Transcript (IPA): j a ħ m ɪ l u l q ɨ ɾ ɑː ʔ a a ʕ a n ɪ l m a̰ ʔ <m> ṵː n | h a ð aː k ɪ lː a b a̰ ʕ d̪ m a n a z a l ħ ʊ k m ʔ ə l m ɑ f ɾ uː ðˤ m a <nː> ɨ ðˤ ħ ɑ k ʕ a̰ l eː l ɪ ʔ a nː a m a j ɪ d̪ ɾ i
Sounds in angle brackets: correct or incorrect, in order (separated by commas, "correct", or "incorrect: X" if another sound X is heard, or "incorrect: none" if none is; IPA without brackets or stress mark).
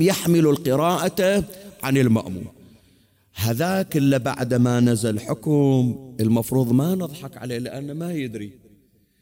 correct, incorrect: n